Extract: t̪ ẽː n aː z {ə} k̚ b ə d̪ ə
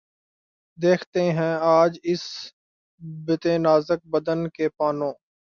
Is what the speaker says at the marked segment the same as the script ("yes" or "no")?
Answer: yes